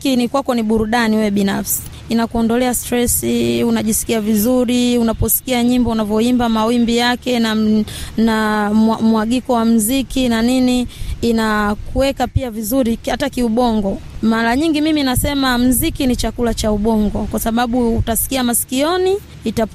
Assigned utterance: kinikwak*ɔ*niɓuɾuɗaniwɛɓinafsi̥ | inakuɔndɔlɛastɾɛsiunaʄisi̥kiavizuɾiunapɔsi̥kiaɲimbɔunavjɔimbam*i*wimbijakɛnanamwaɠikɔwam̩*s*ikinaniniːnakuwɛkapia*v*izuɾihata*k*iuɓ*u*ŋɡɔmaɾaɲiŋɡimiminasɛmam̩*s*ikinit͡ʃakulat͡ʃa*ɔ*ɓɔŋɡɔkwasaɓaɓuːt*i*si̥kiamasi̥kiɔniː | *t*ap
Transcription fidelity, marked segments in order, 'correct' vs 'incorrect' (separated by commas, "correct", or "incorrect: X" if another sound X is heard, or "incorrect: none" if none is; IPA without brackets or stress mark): correct, incorrect: a, incorrect: z, correct, correct, incorrect: ɔ, incorrect: z, incorrect: u, incorrect: a, correct